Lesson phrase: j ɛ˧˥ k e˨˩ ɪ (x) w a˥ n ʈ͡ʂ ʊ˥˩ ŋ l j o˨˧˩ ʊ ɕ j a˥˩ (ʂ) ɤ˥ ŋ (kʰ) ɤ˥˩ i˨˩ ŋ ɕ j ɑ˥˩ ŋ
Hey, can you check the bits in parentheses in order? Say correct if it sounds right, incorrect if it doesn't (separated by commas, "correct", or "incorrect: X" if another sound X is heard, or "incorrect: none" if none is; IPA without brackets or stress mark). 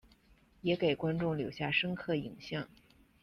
incorrect: k, correct, correct